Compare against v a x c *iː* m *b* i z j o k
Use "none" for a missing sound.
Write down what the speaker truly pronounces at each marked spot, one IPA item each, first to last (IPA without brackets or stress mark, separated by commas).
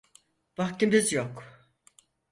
i, b